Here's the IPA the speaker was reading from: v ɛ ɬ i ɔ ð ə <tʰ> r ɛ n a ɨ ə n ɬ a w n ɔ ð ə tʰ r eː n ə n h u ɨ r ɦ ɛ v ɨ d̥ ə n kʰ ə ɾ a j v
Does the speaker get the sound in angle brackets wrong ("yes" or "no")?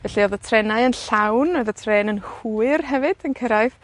no